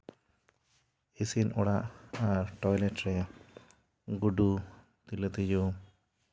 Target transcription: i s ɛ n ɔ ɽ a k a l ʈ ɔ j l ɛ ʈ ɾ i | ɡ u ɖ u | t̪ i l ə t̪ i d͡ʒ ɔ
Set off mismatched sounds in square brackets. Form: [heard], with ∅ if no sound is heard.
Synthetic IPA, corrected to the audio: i s [i] n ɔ ɽ a [ʔ] a [ɾ] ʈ ɔ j l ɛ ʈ ɾ [ɛ] | ɡ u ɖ u | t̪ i l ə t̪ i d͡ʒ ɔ